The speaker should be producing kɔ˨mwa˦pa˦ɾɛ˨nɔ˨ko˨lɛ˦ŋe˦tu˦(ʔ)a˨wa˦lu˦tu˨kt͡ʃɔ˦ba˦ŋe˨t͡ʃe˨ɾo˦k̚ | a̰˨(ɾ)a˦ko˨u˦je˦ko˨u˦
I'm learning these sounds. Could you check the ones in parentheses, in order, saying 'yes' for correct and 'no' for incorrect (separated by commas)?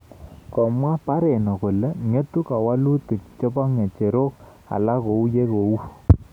no, no